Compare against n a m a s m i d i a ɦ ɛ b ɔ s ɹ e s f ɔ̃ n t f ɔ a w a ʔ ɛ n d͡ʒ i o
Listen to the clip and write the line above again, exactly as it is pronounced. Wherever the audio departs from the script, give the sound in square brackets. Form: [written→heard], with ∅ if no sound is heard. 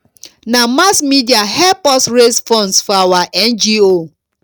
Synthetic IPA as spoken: n a m a s m i d i a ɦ ɛ [b→p] ɔ s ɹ e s f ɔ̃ n [t→s] f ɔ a w a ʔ ɛ n d͡ʒ i o